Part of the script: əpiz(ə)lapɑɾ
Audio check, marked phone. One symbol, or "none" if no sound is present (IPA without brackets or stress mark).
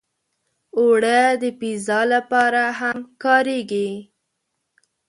ɑ